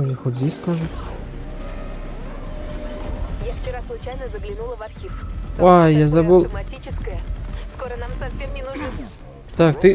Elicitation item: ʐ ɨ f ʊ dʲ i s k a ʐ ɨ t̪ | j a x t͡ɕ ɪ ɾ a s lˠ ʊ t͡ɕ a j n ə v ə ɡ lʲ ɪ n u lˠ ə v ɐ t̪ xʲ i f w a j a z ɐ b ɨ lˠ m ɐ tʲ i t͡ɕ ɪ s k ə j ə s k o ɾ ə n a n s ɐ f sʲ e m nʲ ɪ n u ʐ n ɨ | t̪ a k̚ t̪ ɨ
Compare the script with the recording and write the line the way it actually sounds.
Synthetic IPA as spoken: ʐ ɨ x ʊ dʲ i s k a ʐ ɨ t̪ | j a f t͡ɕ ɪ ɾ a s lˠ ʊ t͡ɕ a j n ə z ə ɡ lʲ ɪ n u lˠ ə v ɐ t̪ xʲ i f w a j a z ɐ b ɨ lˠ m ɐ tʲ i t͡ɕ ɪ s k ə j ə s k o ɾ ə n a m s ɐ f sʲ e m nʲ ɪ n u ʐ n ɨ | t̪ a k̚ t̪ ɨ